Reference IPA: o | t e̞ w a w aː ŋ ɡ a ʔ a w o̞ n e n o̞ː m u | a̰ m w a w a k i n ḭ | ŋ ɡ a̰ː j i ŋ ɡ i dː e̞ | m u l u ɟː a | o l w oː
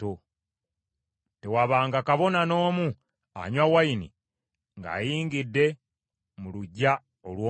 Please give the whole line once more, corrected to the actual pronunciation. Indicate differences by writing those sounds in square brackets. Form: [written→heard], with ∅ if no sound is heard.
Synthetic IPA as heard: o | t e̞ w a [w→β] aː ŋ ɡ a [ʔ→k] a [w→β] o̞ n [e→a] n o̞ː m u | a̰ [m→ɲ] w a w a [k→∅] i n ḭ | ŋ ɡ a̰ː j [i→iː] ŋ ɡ i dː e̞ | m u l u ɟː a | o l w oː